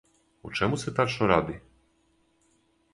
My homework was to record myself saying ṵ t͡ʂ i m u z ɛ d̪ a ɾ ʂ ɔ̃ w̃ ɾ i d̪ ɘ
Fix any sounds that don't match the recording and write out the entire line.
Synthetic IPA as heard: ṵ t͡ʂ ɛ m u s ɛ t̪ a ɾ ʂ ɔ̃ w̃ ɾ a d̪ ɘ